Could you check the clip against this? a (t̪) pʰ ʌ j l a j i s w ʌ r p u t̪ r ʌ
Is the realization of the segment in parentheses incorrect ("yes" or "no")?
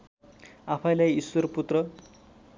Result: yes